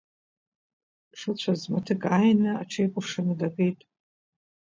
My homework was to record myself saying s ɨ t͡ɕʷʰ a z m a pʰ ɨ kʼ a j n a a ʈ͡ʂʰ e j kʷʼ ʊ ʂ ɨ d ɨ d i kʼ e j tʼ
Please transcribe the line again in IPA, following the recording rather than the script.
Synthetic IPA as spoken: ʂ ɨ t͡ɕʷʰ a z m a tʰ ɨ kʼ a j n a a ʈ͡ʂʰ e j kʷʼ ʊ ʂ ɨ n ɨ d a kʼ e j tʼ